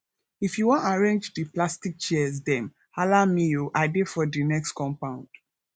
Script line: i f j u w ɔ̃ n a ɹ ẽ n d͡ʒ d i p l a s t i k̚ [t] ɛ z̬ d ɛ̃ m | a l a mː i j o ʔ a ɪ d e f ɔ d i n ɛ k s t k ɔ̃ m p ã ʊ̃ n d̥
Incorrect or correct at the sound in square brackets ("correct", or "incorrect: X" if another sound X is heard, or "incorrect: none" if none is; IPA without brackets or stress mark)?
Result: incorrect: t͡ʃ